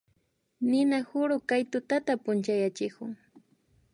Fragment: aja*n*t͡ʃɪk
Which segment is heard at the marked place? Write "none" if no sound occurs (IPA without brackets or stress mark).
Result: none